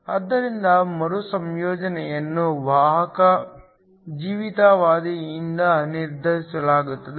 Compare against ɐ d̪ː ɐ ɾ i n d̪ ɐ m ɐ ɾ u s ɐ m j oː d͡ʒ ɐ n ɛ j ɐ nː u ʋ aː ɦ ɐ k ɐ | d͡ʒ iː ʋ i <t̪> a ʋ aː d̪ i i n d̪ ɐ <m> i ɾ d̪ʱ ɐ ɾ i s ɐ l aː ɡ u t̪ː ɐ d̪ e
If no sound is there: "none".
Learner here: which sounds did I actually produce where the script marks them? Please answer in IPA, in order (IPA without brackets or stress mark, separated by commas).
t̪, n